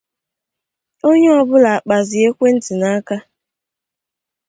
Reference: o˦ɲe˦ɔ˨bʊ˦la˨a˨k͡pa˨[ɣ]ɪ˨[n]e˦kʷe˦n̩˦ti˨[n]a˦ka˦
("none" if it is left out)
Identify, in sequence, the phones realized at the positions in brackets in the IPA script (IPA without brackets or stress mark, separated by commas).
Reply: z, none, n